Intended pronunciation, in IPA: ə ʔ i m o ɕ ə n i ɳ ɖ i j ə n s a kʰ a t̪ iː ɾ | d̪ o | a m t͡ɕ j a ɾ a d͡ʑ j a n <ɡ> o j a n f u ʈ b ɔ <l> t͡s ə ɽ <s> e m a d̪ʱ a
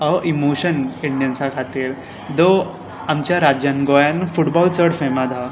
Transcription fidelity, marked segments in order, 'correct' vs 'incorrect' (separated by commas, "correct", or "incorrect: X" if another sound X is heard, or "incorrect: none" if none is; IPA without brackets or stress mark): correct, correct, incorrect: f